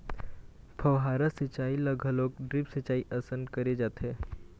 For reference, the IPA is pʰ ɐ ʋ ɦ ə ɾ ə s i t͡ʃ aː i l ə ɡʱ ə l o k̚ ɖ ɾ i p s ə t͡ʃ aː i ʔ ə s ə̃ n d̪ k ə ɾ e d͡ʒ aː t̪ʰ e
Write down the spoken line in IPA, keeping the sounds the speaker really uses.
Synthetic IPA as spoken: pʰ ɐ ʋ ɦ a ɾ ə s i t͡ʃ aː i l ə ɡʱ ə l o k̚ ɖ ɾ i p s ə t͡ʃ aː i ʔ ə s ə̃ n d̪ k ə ɾ e d͡ʒ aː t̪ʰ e